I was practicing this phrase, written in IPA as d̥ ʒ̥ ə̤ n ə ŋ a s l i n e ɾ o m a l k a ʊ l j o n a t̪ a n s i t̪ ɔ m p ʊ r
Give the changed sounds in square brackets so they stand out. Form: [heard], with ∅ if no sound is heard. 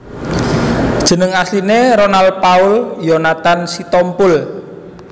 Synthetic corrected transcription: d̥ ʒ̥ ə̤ n ə ŋ a s l i n e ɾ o [n] a l [p] a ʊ l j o n a t̪ a n s i t̪ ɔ m p ʊ [l]